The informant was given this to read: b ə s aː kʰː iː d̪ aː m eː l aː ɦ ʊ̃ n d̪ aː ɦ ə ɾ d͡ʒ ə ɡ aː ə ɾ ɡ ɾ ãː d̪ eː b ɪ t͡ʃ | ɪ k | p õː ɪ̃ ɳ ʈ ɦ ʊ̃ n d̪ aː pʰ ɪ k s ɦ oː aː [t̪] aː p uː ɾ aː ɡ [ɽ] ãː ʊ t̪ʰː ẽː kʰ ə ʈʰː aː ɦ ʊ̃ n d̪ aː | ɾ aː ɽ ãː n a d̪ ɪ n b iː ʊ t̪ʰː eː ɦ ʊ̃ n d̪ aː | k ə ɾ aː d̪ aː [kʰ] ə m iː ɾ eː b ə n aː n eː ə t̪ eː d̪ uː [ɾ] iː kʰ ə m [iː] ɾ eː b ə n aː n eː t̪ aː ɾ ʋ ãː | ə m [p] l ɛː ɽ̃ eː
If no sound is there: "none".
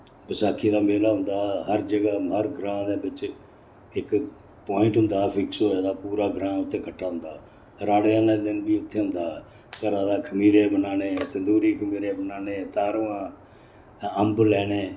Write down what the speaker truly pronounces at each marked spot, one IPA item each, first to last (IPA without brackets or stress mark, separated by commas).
d̪, ɾ, kʰ, ɾ, iː, b